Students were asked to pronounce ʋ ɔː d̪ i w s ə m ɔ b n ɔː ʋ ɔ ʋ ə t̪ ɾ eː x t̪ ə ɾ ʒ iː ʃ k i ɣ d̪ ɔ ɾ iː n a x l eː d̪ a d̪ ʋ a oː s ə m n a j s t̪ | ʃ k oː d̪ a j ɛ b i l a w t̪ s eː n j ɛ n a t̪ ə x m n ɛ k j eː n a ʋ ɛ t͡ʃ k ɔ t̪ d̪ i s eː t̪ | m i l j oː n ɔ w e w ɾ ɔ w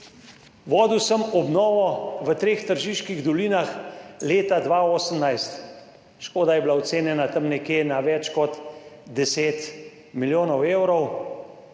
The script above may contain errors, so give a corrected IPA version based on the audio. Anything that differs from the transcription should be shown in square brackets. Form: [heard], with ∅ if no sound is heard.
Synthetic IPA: ʋ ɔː d̪ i w s ə m ɔ b n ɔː ʋ ɔ ʋ ə t̪ ɾ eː x t̪ ə ɾ ʒ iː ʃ k i ɣ d̪ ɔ [l] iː n a x l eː [t̪] a d̪ ʋ a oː s ə m n a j s t̪ | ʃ k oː d̪ a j ɛ b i l a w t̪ s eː n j ɛ n a t̪ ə [∅] m n ɛ k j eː n a ʋ ɛ t͡ʃ k ɔ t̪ d̪ [ɛ] s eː t̪ | m i l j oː n ɔ w e w ɾ ɔ w